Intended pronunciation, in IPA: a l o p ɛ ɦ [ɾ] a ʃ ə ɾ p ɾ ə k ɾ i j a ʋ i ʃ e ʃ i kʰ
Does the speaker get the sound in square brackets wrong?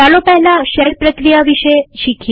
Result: yes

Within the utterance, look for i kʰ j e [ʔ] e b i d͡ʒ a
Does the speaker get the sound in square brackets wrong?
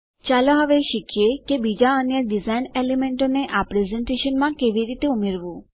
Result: yes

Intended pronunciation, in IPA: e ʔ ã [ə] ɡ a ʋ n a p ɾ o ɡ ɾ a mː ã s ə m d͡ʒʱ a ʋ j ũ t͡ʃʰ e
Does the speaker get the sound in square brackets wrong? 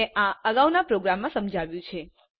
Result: no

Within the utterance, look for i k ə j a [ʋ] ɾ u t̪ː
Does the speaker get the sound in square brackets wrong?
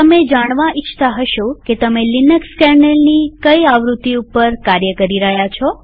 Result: no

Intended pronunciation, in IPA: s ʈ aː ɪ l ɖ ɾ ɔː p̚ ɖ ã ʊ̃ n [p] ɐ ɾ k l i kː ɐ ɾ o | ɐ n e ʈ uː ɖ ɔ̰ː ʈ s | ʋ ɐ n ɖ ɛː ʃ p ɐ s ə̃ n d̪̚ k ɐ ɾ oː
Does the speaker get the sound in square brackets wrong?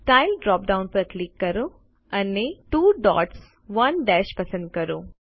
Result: no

